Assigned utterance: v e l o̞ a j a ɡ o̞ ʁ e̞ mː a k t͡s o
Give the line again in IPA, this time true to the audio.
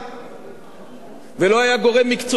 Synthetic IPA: v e l o̞ a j a ɡ o̞ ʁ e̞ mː i k t͡s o